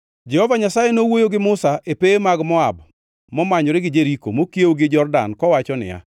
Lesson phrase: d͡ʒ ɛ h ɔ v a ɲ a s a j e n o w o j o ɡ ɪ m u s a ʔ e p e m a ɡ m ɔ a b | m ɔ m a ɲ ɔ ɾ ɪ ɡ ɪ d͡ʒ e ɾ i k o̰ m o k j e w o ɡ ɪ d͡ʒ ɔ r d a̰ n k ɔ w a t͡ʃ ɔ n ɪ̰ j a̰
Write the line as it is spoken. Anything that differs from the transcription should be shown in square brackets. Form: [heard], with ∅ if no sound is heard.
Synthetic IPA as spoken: d͡ʒ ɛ h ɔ v a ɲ a s a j e n o w o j o ɡ ɪ m [ʊ] s a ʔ e p e m a ɡ m ɔ a b | m ɔ m a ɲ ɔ ɾ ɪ ɡ ɪ d͡ʒ e ɾ i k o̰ m o k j e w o ɡ ɪ d͡ʒ ɔ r d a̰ n k ɔ w a t͡ʃ ɔ n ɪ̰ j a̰

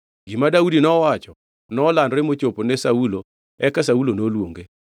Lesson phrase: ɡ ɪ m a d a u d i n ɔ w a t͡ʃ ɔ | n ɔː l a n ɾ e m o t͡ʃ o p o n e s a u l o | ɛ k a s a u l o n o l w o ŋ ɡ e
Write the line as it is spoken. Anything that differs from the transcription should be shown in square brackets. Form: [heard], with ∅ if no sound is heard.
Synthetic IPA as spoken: ɡ [i] m a d a u d i n ɔ w a t͡ʃ ɔ | n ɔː l a n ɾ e m o t͡ʃ o p o n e s a u l o | ɛ k a s a u l o n o l w o ŋ ɡ e

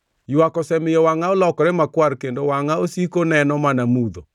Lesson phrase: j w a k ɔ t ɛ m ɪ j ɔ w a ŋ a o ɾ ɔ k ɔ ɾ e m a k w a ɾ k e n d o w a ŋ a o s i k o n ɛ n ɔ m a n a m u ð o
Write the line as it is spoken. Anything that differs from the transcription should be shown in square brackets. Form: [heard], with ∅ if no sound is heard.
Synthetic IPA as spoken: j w a k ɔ [s] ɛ m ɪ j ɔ w a ŋ a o [l] ɔ k ɔ ɾ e m a k w a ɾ k e n d o w a ŋ a o s i k o n ɛ n ɔ m a n a m u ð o

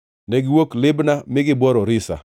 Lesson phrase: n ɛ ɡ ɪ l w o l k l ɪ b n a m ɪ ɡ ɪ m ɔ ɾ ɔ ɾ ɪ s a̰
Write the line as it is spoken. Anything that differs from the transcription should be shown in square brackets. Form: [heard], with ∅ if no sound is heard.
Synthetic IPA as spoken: n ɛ ɡ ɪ [∅] w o [∅] k l ɪ b n a m ɪ ɡ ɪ [b] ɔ ɾ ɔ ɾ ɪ s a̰

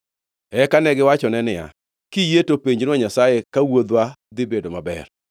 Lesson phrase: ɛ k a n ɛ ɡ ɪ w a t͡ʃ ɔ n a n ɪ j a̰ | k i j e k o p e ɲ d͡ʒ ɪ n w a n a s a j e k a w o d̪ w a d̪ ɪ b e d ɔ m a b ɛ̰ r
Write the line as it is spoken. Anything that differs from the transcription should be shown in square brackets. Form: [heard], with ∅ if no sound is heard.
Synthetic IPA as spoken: ɛ k a n ɛ ɡ ɪ w a t͡ʃ ɔ n [ɛ] n ɪ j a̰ | k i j e [t] o p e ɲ d͡ʒ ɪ n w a [ɲ] a s a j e k a w o d̪ w a d̪ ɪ b e d [o] m a b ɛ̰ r

